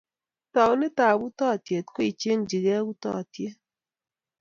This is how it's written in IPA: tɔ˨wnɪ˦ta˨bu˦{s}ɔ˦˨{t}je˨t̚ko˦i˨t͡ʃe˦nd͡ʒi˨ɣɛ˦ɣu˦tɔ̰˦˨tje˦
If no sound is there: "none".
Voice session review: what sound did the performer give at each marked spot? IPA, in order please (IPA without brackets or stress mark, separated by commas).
t, t